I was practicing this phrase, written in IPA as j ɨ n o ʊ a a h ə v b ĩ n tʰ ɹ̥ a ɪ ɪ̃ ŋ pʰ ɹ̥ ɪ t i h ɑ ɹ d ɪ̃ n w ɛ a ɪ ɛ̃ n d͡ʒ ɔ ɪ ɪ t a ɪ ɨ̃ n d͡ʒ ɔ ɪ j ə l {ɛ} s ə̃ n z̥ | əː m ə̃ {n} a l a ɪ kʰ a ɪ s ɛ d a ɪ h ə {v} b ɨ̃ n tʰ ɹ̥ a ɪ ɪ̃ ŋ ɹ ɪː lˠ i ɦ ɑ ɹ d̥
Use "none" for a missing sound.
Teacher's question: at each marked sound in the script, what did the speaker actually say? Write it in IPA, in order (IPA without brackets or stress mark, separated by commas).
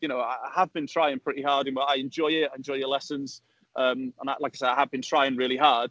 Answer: ɛ, n, v